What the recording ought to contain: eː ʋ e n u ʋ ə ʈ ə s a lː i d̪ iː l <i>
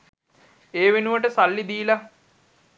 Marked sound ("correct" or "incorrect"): incorrect